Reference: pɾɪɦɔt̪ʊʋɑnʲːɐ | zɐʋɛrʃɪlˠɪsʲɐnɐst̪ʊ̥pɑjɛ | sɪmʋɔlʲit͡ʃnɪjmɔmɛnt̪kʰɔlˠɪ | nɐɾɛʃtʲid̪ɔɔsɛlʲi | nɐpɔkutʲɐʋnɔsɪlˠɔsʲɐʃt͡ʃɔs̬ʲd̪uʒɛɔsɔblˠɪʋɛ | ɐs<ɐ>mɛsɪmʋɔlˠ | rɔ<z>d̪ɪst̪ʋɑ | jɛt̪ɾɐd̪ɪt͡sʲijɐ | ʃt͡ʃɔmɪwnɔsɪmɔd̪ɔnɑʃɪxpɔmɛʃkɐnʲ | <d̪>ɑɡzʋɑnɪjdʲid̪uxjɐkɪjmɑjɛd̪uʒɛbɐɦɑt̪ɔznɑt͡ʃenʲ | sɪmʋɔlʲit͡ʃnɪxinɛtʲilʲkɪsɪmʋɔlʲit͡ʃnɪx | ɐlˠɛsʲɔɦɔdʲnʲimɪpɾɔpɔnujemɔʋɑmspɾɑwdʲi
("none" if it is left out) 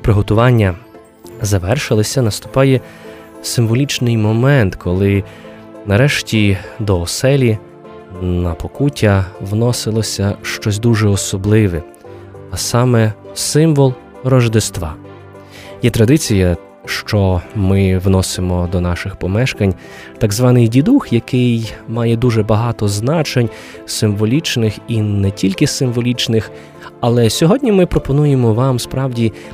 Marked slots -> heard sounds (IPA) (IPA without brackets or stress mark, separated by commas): ɑ, ʒ, t̪